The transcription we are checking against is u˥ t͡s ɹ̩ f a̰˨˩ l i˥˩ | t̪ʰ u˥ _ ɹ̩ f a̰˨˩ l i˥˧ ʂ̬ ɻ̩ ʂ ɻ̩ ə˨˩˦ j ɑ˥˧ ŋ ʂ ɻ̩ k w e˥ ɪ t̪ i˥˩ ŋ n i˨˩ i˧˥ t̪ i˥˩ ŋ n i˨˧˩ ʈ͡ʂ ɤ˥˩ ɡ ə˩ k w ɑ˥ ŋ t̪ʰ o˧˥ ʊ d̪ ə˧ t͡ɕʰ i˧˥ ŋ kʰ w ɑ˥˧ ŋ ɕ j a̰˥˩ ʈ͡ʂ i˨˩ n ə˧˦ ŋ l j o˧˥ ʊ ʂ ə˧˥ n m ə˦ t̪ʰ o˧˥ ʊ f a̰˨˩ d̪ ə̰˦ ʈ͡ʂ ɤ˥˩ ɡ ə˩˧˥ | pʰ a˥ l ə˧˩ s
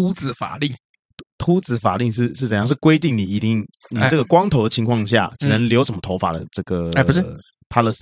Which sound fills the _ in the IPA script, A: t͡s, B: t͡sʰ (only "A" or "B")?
A